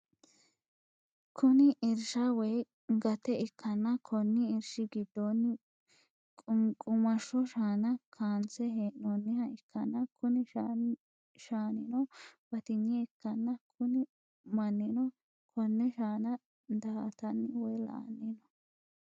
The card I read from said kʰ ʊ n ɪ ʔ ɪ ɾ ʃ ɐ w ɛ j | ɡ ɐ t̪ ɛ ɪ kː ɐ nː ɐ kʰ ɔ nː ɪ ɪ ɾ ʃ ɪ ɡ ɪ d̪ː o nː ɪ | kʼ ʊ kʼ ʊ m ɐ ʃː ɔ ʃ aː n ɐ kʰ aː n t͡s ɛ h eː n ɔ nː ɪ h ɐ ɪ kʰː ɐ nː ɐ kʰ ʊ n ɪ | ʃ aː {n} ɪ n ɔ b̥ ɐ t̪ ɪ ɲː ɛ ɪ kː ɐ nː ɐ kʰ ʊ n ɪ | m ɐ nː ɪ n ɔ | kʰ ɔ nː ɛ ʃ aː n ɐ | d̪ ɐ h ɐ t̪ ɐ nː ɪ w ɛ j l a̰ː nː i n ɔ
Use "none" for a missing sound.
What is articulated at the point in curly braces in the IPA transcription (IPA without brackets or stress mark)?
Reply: n